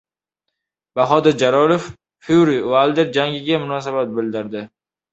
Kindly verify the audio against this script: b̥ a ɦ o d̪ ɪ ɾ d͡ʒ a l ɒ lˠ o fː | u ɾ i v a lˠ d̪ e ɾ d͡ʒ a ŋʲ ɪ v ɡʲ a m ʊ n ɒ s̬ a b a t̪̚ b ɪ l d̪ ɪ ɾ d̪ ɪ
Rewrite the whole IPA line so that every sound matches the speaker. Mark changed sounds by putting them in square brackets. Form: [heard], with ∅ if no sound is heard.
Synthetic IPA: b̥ a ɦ [ɒ] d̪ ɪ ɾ d͡ʒ a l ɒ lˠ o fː | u ɾ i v a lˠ d̪ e ɾ d͡ʒ a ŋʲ ɪ [∅] ɡʲ a m ʊ n ɒ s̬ a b a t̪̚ b ɪ l d̪ ɪ ɾ d̪ ɪ